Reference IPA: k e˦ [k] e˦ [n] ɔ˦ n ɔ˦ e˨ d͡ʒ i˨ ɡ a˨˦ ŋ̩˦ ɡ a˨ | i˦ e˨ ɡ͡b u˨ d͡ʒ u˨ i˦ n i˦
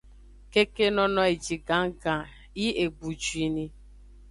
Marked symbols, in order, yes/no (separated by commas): yes, yes